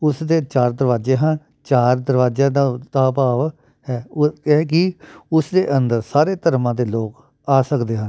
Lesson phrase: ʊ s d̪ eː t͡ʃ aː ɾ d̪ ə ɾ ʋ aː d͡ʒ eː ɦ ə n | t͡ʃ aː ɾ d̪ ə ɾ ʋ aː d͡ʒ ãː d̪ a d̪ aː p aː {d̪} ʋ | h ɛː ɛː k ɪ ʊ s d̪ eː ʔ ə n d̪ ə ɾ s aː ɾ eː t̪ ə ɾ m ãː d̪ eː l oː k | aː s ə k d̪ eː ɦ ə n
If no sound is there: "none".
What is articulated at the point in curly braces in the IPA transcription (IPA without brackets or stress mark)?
none